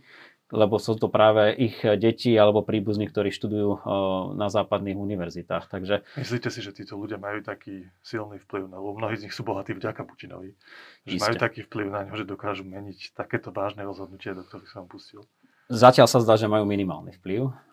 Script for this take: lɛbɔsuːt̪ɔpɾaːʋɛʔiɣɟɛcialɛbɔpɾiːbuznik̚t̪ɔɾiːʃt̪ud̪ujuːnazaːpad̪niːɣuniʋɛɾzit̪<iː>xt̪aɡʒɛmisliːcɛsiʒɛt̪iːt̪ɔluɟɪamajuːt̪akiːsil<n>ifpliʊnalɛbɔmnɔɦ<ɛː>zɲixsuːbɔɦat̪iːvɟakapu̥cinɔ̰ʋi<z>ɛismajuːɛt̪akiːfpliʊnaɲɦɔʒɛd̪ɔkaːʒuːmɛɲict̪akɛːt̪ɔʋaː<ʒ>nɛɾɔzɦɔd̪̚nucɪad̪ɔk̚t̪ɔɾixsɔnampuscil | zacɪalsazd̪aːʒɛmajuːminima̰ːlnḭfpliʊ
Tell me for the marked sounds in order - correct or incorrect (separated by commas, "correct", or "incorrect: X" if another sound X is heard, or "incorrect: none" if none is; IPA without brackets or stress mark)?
incorrect: aː, correct, incorrect: iː, incorrect: ʒ, correct